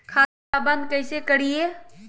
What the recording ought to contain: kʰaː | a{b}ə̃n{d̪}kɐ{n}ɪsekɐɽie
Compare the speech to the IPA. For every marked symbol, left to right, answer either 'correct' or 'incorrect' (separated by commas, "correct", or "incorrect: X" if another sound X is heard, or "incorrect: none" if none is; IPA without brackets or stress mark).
correct, correct, incorrect: none